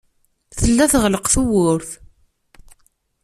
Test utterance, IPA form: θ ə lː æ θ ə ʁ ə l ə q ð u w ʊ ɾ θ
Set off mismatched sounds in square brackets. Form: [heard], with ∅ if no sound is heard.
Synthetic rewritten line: θ ə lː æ θ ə ʁ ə l ə q [θ] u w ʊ ɾ θ